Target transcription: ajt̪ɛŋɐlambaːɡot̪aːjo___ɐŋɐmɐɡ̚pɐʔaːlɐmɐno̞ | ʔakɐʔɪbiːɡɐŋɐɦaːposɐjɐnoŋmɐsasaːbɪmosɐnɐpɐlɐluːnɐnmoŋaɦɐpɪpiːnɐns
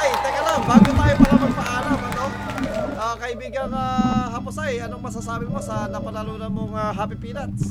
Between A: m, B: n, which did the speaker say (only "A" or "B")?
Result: A